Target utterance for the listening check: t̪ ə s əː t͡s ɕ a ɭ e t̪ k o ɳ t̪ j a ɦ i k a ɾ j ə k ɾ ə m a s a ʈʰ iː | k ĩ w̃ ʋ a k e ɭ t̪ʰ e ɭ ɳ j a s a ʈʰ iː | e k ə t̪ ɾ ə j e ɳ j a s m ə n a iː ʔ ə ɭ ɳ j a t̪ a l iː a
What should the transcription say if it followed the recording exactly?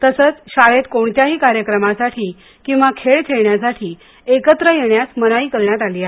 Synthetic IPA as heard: t̪ ə s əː t͡s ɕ a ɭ e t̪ k o ɳ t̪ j a ɦ iː k a ɾ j ə k ɾ ə m a s a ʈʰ iː | k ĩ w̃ ʋ a kʰ e ɭ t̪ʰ e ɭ ɳ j a s a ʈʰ iː | e k ə t̪ ɾ ə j e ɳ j a s m ə n a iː k ə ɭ ɳ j a t̪ a l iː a